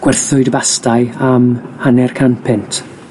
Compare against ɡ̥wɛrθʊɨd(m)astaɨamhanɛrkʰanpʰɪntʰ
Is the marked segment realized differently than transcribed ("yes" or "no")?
yes